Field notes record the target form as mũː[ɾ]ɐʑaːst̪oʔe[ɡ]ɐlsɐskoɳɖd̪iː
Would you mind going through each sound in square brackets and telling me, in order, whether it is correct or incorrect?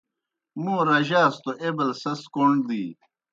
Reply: correct, incorrect

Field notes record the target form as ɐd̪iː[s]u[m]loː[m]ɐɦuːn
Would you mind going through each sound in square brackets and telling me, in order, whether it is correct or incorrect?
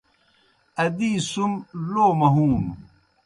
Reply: correct, correct, correct

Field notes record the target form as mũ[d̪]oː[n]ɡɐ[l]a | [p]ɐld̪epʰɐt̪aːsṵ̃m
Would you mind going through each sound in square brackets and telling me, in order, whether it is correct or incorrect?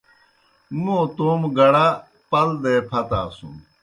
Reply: incorrect, incorrect, incorrect, correct

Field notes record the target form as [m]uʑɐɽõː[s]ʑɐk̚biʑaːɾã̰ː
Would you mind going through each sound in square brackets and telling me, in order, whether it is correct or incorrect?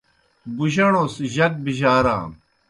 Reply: incorrect, correct

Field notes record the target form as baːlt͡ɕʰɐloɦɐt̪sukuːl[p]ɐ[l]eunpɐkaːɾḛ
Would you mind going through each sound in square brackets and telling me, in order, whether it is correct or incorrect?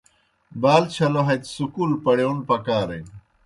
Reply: correct, incorrect

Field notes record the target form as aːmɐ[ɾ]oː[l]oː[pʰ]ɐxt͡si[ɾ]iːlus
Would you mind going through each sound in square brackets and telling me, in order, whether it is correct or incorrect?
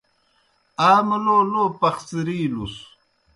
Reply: incorrect, correct, incorrect, correct

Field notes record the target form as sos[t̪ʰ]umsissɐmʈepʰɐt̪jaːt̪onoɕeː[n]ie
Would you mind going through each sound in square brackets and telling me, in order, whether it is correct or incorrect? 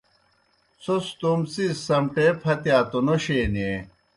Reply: incorrect, correct

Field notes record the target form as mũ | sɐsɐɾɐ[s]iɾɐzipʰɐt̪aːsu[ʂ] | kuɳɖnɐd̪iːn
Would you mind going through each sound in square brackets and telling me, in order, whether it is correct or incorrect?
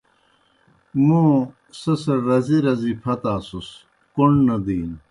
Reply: incorrect, incorrect

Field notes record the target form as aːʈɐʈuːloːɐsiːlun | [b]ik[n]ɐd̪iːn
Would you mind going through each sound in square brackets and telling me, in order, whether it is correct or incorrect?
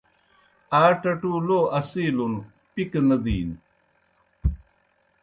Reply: incorrect, correct

